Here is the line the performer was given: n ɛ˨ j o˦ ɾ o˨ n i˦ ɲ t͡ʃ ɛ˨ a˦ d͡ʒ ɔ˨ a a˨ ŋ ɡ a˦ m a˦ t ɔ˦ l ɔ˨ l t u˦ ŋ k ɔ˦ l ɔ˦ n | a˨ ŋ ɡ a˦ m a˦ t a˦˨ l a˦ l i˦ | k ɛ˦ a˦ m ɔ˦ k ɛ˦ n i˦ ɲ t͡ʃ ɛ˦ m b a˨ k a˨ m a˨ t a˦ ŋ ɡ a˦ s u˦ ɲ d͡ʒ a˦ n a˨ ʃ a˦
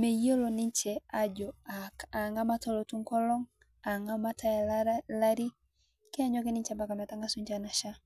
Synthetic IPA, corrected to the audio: m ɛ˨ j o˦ l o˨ n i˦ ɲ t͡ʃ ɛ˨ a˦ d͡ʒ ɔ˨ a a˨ ŋ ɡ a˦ m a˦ t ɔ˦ l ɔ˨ t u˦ ŋ k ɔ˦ l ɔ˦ ŋ | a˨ ŋ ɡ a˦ m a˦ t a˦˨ l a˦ ɾ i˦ | k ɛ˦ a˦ ɲ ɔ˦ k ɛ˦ n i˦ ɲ t͡ʃ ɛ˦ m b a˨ k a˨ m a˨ t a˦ ŋ ɡ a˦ s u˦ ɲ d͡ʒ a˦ n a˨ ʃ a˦